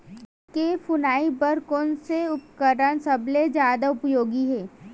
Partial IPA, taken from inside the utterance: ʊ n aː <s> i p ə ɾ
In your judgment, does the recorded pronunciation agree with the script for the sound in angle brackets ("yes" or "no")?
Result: no